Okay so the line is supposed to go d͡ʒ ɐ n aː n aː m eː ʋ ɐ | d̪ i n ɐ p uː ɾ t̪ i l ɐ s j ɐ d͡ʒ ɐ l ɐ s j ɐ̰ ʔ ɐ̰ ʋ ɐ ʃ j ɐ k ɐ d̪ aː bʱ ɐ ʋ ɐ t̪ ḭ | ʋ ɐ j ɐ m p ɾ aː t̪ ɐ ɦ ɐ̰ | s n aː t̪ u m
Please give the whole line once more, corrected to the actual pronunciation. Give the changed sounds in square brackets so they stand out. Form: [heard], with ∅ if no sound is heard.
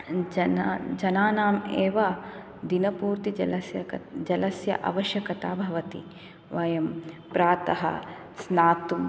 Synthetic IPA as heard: d͡ʒ ɐ n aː n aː m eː ʋ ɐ | d̪ i n ɐ p uː ɾ t̪ i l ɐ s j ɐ d͡ʒ ɐ l ɐ s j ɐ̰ ʔ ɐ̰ ʋ ɐ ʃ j ɐ k ɐ [t̪] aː bʱ ɐ ʋ ɐ t̪ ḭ | ʋ ɐ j ɐ m p ɾ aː t̪ ɐ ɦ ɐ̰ | s n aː t̪ u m